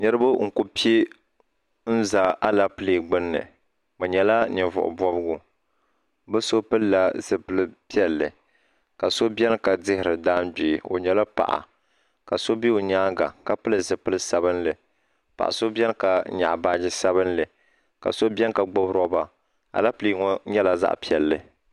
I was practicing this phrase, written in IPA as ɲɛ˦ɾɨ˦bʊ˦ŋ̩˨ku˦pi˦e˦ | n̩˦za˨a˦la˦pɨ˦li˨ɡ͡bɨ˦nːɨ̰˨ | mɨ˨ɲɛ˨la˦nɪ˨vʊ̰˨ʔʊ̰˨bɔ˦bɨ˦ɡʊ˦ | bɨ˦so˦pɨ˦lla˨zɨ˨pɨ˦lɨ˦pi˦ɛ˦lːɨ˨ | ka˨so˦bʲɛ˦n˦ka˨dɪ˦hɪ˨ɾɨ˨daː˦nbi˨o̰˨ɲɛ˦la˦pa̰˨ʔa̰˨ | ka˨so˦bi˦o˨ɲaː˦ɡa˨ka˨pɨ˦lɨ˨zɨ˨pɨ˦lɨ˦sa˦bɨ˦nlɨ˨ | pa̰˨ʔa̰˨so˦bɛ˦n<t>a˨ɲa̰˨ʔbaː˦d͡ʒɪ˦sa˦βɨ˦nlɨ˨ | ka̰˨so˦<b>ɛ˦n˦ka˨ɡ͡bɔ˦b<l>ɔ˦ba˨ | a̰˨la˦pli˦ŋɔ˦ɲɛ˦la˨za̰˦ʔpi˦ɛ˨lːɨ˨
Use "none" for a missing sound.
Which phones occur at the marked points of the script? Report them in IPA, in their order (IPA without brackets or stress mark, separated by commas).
k, b, ɾ